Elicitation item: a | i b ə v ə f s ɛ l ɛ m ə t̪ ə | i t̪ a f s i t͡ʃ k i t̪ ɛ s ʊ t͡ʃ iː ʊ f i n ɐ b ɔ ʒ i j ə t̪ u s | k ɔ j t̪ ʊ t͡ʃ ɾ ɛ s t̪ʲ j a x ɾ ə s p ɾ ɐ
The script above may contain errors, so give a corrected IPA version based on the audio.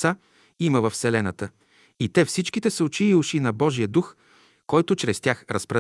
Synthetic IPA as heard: a | i m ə v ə f s ɛ l ɛ n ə t̪ ə | i t̪ ɛ f s i t͡ʃ k i t̪ ɛ s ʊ t͡ʃ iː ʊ ʃ i n ɐ b ɔ ʒ i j ə d̪ u x | k ɔ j t̪ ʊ t͡ʃ ɾ ɛ s t̪ʲ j a x ɾ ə s p ɾ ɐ